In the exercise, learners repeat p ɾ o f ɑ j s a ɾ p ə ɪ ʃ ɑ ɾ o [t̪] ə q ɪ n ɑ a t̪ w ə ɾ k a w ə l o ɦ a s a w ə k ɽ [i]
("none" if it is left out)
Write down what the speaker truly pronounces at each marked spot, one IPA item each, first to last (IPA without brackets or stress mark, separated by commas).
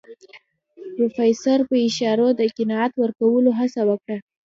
d̪, a